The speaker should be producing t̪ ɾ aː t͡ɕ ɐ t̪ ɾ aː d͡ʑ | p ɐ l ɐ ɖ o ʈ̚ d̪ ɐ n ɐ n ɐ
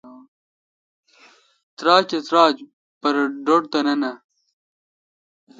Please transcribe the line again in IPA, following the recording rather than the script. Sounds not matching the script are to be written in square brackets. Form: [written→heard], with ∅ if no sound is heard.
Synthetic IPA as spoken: t̪ ɾ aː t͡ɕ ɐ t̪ ɾ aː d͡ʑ | p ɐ [l→ɾ] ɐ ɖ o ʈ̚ [d̪→t̪] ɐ n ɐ n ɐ